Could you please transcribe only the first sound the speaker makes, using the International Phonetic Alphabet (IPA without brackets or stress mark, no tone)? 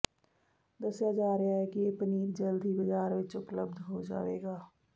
d̪